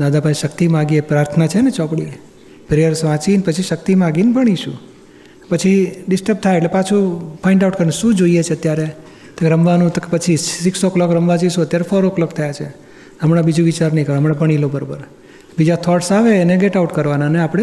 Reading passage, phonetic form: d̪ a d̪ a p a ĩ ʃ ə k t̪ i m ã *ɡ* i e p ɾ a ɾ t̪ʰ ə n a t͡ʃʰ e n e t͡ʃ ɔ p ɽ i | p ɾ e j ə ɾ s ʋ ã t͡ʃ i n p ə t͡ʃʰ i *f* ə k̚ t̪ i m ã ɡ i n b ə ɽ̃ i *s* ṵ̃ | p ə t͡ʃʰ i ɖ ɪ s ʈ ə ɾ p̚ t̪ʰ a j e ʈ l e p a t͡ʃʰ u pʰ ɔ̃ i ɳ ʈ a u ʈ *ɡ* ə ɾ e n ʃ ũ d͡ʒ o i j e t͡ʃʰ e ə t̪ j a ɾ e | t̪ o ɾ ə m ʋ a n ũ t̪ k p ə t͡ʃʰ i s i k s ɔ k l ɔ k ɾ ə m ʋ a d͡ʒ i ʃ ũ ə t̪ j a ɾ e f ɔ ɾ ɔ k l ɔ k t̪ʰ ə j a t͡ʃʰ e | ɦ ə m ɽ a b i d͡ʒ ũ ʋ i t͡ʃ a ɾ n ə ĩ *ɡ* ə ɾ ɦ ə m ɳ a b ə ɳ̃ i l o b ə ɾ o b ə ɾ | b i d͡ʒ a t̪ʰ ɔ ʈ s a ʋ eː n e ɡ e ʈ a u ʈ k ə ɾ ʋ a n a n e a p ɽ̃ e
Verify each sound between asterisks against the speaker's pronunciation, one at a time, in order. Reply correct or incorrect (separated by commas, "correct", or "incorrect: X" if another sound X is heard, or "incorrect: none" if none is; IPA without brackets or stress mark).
correct, incorrect: ʃ, incorrect: ʃ, incorrect: k, incorrect: k